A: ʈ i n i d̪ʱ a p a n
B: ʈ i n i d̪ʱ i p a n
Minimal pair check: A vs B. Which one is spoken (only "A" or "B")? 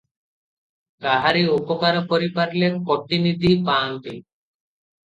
B